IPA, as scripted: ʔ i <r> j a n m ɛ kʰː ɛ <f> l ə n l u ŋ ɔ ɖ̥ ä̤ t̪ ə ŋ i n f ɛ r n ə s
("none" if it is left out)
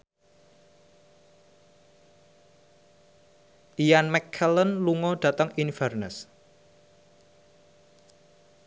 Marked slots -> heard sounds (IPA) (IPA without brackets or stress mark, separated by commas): none, none